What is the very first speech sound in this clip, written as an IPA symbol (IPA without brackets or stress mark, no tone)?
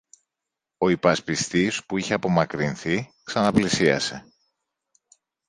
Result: o̞